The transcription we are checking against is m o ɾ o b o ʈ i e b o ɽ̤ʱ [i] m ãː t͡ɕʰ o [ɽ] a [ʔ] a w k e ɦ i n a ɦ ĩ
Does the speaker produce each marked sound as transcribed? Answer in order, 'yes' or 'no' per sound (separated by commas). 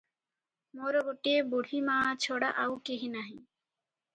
yes, yes, yes